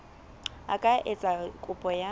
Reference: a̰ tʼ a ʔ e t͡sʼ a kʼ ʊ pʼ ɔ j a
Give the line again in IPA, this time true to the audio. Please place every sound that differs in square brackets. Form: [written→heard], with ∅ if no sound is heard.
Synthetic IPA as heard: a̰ [tʼ→kʼ] a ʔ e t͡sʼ a kʼ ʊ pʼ ɔ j a